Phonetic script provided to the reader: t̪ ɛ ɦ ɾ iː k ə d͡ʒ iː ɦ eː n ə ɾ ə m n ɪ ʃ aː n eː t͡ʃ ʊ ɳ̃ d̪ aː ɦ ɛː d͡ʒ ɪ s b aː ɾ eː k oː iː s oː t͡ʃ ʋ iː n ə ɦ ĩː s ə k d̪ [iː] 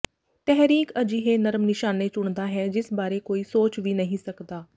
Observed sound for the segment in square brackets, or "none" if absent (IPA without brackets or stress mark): aː